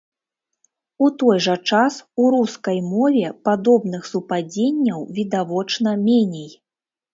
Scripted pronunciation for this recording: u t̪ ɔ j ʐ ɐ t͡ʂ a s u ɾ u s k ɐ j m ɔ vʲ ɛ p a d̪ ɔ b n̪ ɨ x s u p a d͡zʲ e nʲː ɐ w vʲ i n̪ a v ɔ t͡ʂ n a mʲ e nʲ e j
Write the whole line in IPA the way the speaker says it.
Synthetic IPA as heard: u t̪ ɔ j ʐ ɐ t͡ʂ a s u ɾ u s k ɐ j m ɔ vʲ ɛ p a d̪ ɔ b n̪ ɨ x s u p a d͡zʲ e nʲː ɐ w vʲ i d̪ a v ɔ t͡ʂ n ɐ mʲ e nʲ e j